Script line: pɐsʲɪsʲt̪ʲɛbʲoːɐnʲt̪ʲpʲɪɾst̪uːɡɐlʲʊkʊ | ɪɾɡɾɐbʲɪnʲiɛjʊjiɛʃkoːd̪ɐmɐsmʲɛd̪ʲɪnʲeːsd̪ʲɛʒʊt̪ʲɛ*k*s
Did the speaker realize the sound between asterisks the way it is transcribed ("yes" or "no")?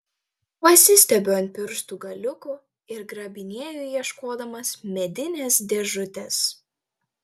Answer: no